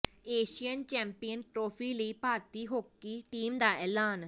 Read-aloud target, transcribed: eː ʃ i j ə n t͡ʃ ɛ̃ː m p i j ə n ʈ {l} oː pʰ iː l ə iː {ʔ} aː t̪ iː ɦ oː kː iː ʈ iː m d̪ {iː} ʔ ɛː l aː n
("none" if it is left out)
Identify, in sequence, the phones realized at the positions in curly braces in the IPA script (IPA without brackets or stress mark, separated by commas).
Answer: ɾ, p, aː